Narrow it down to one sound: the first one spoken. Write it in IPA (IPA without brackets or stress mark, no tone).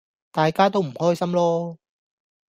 t̪